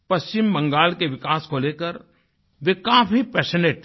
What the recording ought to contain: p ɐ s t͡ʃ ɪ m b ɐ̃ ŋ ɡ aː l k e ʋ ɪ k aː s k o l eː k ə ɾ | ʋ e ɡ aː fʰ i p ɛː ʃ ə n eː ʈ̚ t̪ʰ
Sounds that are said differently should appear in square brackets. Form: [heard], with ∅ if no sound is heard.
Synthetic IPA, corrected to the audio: p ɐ s t͡ʃ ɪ m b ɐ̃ ŋ ɡ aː l k e ʋ ɪ k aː s k o l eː k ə ɾ | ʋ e [k] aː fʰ i p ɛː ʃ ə n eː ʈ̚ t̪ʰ